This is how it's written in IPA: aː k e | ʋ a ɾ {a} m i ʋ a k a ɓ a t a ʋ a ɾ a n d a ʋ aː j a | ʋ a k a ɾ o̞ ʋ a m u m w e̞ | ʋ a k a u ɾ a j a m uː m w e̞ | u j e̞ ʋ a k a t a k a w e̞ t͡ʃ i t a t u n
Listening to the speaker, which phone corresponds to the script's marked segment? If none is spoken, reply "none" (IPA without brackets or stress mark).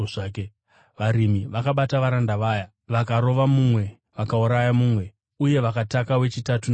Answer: i